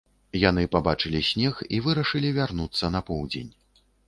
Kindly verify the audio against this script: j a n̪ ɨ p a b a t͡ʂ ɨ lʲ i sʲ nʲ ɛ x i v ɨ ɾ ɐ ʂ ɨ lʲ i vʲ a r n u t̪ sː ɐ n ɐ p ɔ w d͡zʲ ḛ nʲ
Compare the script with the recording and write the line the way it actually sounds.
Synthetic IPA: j a n̪ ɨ p a b a t͡ʂ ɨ lʲ i sʲ nʲ ɛ x i v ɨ ɾ ɐ ʂ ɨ lʲ i vʲ a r n u t̪ sː ɐ n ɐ p ɔ w d͡zʲ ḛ nʲ